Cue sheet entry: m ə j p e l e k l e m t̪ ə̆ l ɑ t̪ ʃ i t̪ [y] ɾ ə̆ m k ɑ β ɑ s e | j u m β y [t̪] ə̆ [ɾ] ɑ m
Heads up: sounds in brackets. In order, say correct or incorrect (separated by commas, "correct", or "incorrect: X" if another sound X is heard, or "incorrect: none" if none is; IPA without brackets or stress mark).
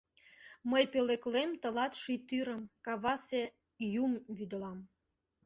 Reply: correct, incorrect: d̪, incorrect: l